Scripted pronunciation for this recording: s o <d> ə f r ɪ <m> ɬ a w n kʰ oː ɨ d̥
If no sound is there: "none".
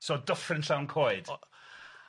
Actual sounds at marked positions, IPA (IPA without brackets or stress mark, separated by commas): d, n